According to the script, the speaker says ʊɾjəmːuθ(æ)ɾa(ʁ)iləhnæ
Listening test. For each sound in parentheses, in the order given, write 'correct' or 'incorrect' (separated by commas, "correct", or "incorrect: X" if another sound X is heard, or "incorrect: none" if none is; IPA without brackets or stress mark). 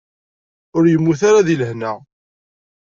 incorrect: a, incorrect: ð